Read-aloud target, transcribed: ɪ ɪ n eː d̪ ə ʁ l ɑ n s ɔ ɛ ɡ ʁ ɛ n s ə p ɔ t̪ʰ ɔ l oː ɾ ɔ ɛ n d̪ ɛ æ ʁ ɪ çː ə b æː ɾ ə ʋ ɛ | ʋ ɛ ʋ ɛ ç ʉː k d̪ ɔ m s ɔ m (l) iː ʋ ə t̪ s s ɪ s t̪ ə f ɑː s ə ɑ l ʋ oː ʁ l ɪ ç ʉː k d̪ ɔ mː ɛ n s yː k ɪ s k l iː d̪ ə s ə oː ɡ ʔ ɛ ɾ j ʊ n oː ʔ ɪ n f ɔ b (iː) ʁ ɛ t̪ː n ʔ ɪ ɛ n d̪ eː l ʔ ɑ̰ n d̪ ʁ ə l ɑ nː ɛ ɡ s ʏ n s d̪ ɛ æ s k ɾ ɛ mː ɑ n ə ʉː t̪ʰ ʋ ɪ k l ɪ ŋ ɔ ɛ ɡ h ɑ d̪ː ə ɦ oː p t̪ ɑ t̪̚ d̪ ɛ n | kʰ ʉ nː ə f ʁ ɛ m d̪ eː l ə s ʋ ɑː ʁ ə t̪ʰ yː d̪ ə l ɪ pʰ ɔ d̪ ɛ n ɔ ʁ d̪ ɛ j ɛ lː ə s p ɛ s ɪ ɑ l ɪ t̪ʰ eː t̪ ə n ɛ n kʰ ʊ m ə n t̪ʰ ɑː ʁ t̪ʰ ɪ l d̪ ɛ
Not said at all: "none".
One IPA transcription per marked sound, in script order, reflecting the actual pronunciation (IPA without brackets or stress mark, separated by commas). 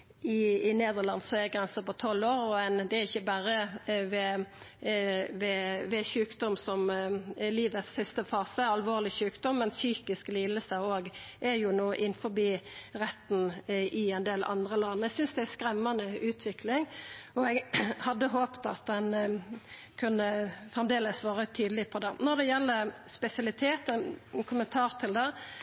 l, iː